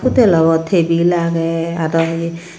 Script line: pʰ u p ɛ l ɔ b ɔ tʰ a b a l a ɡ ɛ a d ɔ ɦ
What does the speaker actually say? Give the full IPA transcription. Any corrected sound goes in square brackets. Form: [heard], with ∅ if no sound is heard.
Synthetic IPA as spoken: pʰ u [t] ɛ l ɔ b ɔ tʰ [e] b [i] l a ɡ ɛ a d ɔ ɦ